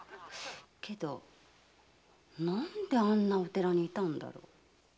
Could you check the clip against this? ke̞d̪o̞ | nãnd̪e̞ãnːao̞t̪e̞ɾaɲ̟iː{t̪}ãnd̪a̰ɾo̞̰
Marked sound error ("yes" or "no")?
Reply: no